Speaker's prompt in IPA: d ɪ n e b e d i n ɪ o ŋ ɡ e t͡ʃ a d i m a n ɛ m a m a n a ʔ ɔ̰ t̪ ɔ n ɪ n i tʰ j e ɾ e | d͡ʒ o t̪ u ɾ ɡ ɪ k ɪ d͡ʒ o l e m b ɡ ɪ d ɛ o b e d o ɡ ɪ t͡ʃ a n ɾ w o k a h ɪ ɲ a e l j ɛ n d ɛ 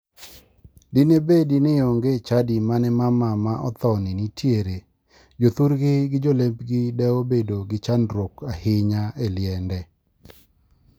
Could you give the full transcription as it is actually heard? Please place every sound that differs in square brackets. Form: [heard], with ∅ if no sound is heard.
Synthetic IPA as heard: d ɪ n e b e d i n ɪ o ŋ ɡ e t͡ʃ a d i m a n ɛ m a m a [m] a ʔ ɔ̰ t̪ ɔ n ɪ n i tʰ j e ɾ e | d͡ʒ o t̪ u ɾ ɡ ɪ [ɡ] ɪ d͡ʒ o l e m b ɡ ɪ d ɛ o b e d o ɡ ɪ t͡ʃ a n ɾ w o k a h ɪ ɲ a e l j ɛ n d ɛ